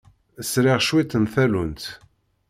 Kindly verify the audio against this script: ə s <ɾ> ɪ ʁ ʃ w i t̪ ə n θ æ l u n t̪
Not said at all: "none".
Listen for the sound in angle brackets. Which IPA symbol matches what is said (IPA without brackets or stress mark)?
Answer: ɾ